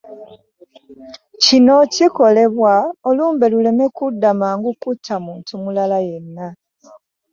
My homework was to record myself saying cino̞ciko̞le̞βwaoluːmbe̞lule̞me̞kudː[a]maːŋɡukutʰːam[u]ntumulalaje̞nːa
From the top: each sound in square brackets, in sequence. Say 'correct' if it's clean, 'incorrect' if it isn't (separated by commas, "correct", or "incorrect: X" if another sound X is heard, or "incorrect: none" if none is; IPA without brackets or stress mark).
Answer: correct, incorrect: uː